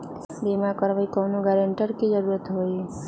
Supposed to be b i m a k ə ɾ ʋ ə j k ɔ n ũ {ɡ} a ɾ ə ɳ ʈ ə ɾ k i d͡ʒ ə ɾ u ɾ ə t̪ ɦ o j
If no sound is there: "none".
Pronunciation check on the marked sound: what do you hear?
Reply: ɡ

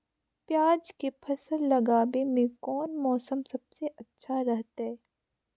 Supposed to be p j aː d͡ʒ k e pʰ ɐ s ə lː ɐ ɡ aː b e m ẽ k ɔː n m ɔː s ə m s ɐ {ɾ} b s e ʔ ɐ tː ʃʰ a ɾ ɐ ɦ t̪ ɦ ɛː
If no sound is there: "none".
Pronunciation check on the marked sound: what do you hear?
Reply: none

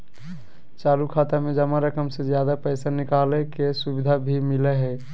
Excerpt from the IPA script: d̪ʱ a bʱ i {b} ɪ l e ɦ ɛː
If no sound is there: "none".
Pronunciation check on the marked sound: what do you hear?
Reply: m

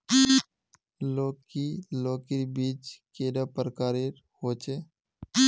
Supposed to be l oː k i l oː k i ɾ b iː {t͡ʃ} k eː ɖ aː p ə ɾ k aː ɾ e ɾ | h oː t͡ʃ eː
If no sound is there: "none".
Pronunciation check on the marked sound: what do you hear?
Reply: t͡ʃ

